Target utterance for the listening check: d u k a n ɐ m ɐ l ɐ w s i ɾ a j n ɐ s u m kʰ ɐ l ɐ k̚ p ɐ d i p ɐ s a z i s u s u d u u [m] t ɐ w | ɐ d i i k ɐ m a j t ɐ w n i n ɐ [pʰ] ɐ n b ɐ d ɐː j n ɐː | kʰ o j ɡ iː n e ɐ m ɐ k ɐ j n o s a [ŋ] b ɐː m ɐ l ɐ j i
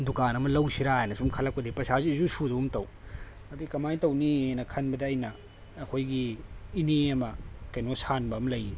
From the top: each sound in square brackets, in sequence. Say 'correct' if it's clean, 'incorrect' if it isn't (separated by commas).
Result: correct, incorrect, incorrect